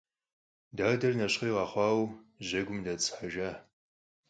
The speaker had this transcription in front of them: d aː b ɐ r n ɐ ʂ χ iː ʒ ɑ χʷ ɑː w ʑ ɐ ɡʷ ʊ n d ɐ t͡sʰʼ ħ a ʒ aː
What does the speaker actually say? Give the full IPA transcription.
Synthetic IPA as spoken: d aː d ɐ r n ɐ ɕ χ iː ʁ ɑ χʷ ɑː w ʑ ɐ ɡʷ ʊ m d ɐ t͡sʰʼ ħ a ʒ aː